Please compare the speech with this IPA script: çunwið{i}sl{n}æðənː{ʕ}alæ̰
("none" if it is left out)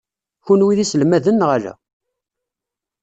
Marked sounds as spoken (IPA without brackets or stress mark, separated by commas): i, m, ʁ